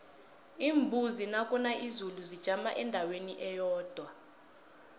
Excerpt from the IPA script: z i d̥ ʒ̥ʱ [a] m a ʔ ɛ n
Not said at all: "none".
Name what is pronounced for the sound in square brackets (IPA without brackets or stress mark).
a